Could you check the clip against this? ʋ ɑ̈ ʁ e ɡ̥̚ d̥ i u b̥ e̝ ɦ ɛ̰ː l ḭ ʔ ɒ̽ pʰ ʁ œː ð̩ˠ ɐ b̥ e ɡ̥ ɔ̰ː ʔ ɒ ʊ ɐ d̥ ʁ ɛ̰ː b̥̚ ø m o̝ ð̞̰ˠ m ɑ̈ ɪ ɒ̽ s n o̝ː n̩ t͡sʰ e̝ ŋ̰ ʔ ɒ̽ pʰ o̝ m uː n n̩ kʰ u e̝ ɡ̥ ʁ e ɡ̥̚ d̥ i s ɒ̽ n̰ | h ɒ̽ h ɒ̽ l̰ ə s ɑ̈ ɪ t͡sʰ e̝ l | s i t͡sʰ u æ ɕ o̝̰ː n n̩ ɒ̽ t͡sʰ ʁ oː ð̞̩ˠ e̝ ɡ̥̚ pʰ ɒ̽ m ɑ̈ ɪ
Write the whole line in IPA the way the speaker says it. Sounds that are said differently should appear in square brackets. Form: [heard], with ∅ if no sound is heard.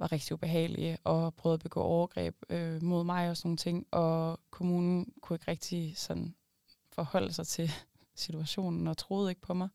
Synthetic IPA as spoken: ʋ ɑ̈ ʁ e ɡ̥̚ d̥ i u b̥ e̝ ɦ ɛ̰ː l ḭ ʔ ɒ̽ pʰ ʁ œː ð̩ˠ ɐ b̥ e ɡ̥ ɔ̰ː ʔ ɒ ʊ ɐ [ɡ̥] ʁ ɛ̰ː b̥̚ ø m o̝ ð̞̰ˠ m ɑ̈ ɪ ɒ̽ s n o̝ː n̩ t͡sʰ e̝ ŋ̰ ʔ ɒ̽ [kʰ] o̝ m uː n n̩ kʰ u e̝ ɡ̥ ʁ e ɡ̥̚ d̥ i s ɒ̽ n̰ | [f] ɒ̽ h ɒ̽ l̰ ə s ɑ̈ ɪ t͡sʰ e̝ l | s i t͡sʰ u æ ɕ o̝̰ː n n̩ ɒ̽ t͡sʰ ʁ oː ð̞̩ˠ e̝ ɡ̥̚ pʰ ɒ̽ m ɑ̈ ɪ